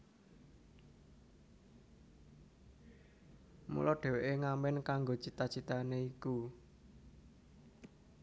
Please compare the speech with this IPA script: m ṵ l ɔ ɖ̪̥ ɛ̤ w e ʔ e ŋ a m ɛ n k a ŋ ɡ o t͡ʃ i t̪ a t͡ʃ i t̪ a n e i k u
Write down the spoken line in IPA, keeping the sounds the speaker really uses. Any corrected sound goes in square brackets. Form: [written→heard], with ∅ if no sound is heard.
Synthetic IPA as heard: m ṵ l ɔ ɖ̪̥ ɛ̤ w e ʔ e ŋ a m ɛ n k a ŋ ɡ o t͡ʃ i t̪ a t͡ʃ i t̪ a n e i k u